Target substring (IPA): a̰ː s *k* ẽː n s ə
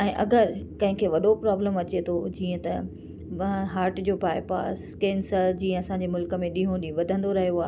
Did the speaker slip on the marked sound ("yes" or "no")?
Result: no